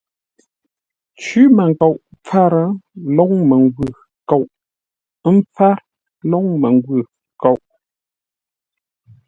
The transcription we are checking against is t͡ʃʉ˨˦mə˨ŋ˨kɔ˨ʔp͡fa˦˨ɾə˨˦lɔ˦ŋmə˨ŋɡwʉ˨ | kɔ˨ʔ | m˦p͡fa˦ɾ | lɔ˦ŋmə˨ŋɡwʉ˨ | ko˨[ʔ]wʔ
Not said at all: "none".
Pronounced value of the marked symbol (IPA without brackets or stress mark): none